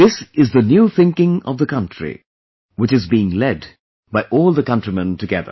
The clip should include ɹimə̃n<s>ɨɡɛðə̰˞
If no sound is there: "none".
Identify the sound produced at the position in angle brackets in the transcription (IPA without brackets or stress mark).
t